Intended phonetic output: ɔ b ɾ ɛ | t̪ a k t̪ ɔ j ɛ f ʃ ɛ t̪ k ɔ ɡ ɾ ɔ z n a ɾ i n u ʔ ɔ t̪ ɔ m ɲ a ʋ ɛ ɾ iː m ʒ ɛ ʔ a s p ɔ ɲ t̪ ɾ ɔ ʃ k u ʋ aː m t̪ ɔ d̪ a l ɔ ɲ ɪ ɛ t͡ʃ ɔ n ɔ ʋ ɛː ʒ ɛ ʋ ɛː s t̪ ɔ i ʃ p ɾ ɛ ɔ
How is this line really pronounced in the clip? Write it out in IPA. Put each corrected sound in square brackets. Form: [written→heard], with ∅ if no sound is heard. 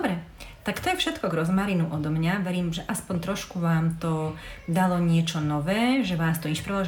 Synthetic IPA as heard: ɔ b ɾ ɛ | t̪ a k t̪ ɔ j ɛ f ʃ ɛ t̪ k ɔ ɡ ɾ ɔ z [n→m] a ɾ i n u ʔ ɔ [t̪→d̪] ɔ m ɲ a ʋ ɛ ɾ iː m ʒ ɛ ʔ a s p ɔ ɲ t̪ ɾ ɔ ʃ k u ʋ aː m t̪ ɔ d̪ a l ɔ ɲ ɪ ɛ t͡ʃ ɔ n ɔ ʋ ɛː ʒ ɛ ʋ [ɛː→aː] s t̪ ɔ i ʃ p ɾ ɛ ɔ